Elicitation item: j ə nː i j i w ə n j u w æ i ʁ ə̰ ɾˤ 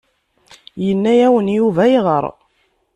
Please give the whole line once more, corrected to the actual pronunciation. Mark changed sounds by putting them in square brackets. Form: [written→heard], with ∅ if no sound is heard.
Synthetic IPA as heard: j ə nː [i→æ] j [i→æ] w ə n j u [w→v] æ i ʁ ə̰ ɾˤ